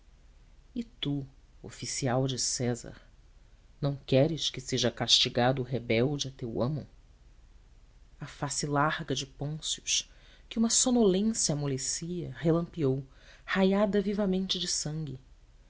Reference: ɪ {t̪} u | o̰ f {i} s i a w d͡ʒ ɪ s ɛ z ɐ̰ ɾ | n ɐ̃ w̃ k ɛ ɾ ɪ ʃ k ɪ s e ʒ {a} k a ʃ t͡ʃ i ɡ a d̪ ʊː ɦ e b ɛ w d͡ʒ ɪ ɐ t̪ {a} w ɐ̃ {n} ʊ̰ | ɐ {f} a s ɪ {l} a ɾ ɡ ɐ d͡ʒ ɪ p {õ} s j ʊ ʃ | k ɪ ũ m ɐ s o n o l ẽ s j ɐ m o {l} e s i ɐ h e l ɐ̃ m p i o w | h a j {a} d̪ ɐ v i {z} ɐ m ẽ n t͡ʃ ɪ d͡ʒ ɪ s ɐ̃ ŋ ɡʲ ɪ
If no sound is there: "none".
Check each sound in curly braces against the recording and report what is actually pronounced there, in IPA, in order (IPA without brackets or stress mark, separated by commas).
t̪, i, ɐ, e, m, f, l, õ, l, a, v